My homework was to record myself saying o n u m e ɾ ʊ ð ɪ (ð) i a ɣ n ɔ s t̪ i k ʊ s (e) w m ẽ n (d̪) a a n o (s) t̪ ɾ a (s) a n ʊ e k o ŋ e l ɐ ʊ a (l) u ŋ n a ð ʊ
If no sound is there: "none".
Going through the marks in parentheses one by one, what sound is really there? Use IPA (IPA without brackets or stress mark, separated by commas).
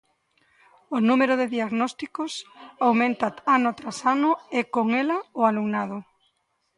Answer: ð, a, t̪, none, s, l